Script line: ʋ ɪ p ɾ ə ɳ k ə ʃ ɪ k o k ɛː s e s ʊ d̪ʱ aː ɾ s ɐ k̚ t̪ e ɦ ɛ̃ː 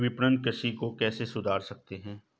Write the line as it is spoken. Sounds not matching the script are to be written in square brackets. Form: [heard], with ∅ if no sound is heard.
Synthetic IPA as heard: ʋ ɪ p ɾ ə [n] k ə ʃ [i] k o k ɛː s e s ʊ d̪ʱ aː ɾ s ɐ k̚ t̪ e ɦ ɛ̃ː